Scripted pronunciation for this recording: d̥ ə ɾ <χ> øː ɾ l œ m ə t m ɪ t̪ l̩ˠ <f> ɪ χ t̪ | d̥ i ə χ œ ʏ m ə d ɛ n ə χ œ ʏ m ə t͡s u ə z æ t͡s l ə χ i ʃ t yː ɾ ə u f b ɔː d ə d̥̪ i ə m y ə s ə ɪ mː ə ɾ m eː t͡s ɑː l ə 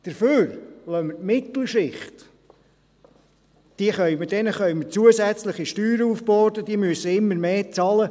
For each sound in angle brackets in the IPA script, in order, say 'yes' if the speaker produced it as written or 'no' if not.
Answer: no, no

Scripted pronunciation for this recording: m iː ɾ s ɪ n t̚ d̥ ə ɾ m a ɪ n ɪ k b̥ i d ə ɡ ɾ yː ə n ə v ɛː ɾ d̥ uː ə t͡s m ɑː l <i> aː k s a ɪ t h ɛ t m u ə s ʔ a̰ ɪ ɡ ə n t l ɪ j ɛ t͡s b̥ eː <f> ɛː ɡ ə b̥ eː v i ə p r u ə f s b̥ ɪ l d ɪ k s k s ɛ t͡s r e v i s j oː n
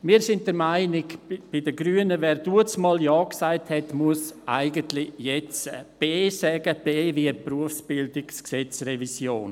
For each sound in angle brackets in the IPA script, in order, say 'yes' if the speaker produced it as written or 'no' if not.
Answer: no, no

